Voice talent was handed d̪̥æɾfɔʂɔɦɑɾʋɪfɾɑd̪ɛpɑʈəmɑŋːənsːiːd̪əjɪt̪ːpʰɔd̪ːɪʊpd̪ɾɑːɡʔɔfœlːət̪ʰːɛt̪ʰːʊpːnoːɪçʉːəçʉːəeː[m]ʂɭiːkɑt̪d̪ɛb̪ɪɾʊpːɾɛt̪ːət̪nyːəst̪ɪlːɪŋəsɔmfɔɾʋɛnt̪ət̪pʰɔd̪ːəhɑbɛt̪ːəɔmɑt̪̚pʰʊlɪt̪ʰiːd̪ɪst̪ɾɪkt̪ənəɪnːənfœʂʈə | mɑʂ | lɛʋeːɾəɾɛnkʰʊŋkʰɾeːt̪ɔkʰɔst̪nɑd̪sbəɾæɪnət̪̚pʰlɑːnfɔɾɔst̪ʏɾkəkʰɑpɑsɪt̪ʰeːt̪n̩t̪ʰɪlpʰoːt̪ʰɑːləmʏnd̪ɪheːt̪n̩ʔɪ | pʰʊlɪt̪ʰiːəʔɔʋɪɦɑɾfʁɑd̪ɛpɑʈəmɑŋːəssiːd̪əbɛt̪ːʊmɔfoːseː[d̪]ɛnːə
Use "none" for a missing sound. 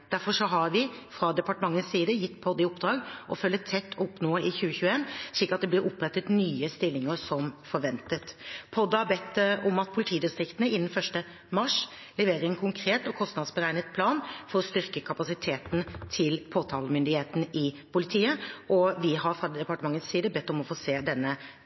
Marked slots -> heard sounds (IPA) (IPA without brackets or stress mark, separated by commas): n, d̪